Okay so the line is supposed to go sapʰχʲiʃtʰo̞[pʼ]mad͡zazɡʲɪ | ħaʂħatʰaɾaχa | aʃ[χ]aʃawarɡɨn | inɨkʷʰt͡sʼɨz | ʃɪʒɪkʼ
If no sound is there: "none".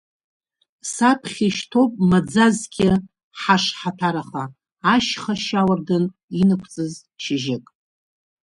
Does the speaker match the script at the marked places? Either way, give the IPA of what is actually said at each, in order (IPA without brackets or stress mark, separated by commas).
pʼ, χ